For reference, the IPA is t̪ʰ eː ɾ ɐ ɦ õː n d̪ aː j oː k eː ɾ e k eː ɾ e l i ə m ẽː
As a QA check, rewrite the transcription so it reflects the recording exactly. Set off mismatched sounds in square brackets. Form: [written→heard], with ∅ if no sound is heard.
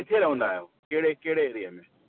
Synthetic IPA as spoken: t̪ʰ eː ɾ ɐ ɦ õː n d̪ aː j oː k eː [ɾ→ɽ] e k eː [ɾ→ɽ] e [l→ɾ] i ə m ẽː